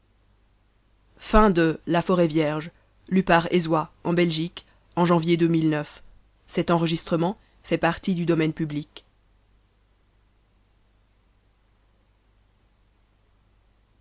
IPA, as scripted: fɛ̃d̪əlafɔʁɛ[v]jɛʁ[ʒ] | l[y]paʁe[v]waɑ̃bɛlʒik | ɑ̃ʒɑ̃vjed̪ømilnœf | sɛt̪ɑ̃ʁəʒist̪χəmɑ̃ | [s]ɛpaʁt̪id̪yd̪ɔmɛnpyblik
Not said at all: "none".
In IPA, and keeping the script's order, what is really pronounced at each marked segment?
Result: v, ʒ, y, z, f

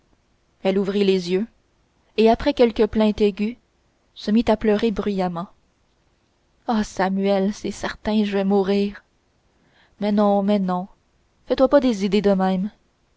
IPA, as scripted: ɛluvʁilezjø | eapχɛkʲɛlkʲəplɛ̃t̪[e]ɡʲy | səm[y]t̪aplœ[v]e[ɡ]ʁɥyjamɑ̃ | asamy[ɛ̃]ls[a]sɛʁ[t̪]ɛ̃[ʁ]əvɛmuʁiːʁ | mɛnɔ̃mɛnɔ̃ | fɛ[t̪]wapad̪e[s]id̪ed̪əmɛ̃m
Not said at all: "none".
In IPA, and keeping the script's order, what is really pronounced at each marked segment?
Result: e, i, ʁ, b, ɛ, ɛ, t̪, ʒ, t̪, z

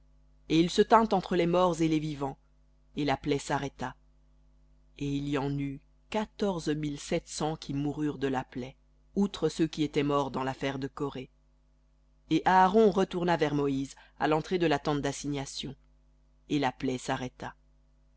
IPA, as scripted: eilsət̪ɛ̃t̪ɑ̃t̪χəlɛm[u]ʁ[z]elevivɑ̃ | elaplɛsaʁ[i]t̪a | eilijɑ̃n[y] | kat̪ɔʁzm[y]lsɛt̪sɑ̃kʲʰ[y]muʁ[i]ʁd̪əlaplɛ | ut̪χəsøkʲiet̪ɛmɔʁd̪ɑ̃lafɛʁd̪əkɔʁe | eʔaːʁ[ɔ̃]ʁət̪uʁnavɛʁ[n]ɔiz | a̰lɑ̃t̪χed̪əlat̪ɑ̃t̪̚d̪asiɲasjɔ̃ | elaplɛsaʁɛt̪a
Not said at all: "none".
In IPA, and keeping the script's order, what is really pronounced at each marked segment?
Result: ɔ, z, ɛ, y, i, i, y, ɔ̃, m

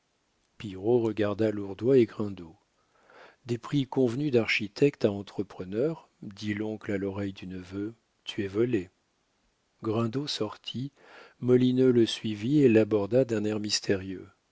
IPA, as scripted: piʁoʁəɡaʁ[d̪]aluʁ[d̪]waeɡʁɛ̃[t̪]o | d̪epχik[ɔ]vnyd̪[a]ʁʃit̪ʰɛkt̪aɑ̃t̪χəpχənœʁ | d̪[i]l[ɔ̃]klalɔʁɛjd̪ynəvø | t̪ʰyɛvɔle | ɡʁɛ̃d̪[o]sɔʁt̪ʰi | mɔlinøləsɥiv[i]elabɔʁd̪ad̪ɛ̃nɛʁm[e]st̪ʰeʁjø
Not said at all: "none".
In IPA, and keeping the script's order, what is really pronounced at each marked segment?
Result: d̪, d̪, d̪, ɔ̃, a, i, ɔ̃, o, i, i

